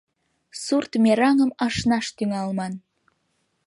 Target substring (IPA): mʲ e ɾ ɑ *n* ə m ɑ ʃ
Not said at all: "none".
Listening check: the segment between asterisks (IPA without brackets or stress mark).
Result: ŋ